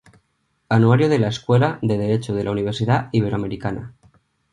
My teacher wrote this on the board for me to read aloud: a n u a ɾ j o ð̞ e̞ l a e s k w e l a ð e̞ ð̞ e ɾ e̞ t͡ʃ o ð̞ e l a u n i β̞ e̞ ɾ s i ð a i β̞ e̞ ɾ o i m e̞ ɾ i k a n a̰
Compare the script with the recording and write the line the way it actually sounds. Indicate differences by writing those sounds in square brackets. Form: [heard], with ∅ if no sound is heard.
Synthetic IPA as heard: a n u a ɾ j o ð̞ e̞ l a e s k w e l a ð e̞ ð̞ e ɾ e̞ t͡ʃ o ð̞ e l a u n i β̞ e̞ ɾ s i ð a i β̞ e̞ ɾ o [a] m e̞ ɾ i k a n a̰